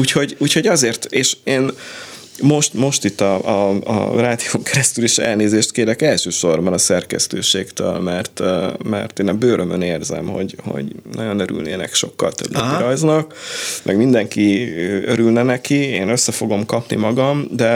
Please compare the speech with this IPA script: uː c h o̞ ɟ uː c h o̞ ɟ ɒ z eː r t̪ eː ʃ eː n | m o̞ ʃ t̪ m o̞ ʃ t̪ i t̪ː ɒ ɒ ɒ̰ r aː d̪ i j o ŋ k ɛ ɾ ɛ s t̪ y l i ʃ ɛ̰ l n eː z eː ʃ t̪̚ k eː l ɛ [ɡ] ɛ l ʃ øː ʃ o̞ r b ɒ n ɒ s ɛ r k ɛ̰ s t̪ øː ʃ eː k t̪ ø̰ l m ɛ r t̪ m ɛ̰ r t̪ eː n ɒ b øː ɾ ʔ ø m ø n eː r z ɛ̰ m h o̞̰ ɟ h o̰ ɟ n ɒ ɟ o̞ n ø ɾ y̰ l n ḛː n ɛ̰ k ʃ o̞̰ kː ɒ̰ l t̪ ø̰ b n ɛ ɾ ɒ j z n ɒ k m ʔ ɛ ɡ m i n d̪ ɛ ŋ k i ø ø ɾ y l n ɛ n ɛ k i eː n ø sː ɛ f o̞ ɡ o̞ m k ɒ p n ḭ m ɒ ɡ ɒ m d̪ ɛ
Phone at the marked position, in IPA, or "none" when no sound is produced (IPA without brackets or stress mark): k